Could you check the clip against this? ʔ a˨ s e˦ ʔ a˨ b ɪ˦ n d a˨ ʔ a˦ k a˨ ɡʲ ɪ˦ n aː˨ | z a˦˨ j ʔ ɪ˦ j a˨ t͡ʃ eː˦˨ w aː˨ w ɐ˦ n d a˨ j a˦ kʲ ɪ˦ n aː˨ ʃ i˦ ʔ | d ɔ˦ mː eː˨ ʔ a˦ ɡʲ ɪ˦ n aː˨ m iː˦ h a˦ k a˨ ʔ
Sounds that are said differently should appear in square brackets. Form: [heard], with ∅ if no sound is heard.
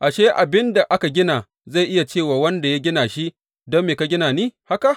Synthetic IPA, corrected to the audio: ʔ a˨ [ʃ] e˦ ʔ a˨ b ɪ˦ n d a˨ ʔ a˦ k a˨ ɡʲ ɪ˦ n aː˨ | z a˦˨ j ʔ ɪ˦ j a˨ t͡ʃ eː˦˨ w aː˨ w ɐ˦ n d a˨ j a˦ [ɡʲ] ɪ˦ n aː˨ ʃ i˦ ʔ | d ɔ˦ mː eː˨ [k] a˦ ɡʲ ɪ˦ n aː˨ [n] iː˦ h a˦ k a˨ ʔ